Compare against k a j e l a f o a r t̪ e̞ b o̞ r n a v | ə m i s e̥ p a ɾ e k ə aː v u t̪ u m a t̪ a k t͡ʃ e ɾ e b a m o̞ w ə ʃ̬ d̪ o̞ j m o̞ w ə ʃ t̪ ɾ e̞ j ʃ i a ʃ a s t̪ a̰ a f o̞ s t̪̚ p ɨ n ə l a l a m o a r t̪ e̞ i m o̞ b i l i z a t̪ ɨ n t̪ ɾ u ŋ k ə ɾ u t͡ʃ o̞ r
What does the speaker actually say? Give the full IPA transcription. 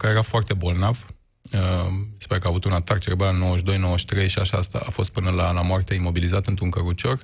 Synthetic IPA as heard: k a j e ɾ a f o a r t̪ e̞ b o̞ l n a v | ə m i s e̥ p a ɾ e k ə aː v u t̪ u n a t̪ a k t͡ʃ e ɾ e b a n o̞ w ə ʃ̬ d̪ o̞ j n o̞ w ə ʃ t̪ ɾ e̞ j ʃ i a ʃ a s t̪ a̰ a f o̞ s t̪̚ p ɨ n ə l a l a m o a r t̪ e̞ i m o̞ b i l i z a t̪ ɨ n t̪ ɾ u ŋ k ə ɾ u t͡ʃ o̞ r